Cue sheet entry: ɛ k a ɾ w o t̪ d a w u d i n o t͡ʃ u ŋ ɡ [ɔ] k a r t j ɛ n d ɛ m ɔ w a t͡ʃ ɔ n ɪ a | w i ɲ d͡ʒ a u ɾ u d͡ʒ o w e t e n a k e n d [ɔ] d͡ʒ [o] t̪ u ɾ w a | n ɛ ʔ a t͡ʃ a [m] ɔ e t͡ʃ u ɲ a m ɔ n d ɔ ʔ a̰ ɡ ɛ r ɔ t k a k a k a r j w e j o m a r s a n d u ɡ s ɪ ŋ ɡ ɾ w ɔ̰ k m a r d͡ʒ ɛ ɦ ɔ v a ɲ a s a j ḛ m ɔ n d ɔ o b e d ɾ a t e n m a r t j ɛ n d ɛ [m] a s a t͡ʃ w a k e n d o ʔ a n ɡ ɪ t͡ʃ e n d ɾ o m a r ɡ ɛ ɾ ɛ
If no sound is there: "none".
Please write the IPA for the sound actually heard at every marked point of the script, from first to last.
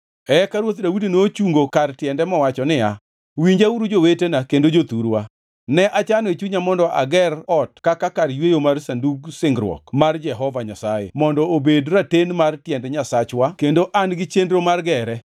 o, o, o, n, ɲ

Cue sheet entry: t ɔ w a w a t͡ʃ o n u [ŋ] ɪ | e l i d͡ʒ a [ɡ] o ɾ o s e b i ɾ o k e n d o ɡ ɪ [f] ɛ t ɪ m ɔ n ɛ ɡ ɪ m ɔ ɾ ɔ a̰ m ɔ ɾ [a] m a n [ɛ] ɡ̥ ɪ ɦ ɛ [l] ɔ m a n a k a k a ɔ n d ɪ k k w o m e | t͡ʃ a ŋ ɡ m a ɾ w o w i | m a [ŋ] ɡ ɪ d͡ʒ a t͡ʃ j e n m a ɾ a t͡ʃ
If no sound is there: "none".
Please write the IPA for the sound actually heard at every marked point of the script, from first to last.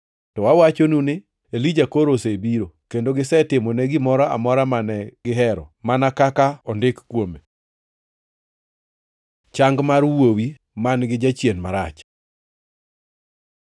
n, k, s, a, ɛ, ɾ, n

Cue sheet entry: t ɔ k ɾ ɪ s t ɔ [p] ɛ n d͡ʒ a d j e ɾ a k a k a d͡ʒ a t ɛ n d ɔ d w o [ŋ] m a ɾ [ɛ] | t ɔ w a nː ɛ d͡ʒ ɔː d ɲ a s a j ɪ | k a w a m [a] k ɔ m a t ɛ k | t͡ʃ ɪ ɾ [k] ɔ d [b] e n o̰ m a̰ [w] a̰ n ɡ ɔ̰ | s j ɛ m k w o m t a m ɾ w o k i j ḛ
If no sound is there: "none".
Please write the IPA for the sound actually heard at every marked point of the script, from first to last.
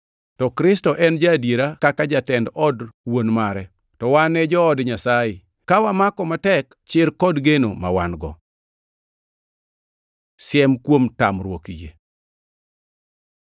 ʔ, n, ɛ, a, k, ɡ, w

